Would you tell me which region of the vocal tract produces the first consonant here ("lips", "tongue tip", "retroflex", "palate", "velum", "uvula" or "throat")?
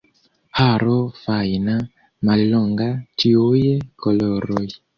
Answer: throat